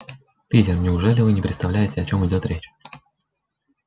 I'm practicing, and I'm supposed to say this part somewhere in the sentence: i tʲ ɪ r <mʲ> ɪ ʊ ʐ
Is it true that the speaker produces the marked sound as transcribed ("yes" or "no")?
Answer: no